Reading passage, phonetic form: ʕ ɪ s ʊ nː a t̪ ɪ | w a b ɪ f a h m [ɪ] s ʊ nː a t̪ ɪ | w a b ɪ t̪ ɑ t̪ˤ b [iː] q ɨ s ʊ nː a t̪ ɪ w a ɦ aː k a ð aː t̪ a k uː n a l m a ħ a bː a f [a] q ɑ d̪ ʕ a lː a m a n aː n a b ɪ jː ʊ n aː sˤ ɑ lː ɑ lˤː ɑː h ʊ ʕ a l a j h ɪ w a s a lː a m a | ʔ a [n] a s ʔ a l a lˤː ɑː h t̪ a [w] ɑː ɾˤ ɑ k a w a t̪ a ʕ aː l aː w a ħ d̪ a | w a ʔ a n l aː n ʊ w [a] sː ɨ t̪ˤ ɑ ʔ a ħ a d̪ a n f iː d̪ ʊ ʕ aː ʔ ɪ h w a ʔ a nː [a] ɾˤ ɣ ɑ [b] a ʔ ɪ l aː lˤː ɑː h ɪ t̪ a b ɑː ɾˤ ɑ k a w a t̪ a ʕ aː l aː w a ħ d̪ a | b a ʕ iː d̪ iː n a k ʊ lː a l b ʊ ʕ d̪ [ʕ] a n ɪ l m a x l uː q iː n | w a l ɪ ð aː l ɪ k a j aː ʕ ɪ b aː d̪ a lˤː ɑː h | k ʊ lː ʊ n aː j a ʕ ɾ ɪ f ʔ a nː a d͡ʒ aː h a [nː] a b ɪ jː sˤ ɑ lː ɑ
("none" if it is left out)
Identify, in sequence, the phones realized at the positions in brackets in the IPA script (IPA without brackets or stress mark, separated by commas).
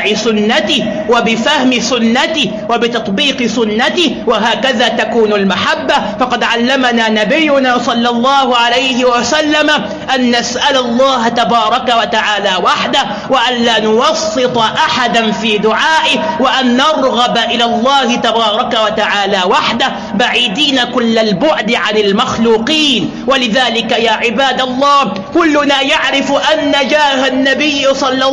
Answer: ɪ, iː, ɑ, nː, b, ɑ, ɑ, b, ʕ, nː